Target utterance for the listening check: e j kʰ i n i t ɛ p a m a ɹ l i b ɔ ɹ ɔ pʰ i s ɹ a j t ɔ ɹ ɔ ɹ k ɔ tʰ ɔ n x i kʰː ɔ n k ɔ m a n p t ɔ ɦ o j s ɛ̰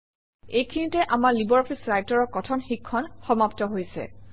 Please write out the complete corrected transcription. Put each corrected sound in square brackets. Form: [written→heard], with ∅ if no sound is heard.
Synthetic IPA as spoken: e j kʰ i n i t ɛ [p→ʔ] a m a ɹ l i b ɔ ɹ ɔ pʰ i s ɹ a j t ɔ ɹ ɔ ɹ k ɔ tʰ ɔ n x i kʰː ɔ n [k→x] ɔ m a [n→∅] p t ɔ ɦ o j s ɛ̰